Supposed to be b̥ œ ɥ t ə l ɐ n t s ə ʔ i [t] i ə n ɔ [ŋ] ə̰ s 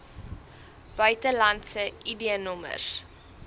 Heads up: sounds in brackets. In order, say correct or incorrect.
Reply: incorrect, incorrect

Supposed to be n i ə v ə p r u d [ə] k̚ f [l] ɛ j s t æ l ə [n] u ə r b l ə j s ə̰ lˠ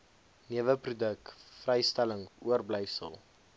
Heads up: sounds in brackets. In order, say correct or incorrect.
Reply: correct, incorrect, incorrect

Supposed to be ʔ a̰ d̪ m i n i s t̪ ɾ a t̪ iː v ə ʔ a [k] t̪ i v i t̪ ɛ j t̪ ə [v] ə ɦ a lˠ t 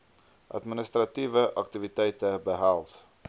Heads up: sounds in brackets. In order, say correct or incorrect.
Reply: correct, incorrect

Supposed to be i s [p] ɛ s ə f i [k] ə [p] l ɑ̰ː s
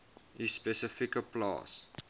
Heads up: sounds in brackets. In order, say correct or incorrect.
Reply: correct, correct, correct

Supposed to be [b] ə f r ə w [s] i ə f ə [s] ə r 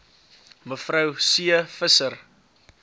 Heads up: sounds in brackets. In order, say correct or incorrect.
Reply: incorrect, correct, correct

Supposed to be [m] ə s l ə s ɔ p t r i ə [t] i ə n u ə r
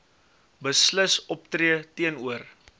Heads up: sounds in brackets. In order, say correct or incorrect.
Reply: incorrect, correct

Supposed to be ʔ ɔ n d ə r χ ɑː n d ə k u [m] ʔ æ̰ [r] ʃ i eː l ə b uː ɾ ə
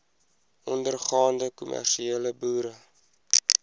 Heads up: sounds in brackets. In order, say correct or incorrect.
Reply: correct, correct

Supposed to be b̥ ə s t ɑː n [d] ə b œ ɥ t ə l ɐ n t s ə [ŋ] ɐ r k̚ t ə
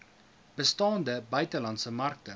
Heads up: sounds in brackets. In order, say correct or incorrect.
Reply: correct, incorrect

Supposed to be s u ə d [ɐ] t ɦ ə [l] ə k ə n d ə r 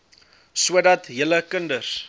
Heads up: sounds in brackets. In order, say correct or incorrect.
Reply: correct, correct

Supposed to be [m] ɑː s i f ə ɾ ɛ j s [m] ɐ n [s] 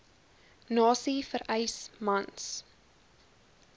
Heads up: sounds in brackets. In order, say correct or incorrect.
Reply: incorrect, correct, correct

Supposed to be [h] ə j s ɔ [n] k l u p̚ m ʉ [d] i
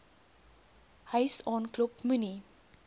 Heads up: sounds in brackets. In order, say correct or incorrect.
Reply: correct, correct, incorrect

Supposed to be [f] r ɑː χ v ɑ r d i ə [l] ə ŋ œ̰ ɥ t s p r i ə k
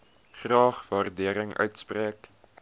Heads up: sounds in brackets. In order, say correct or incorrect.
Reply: incorrect, incorrect

